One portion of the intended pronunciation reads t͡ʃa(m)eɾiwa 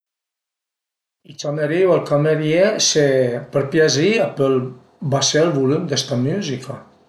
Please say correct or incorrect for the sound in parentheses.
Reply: correct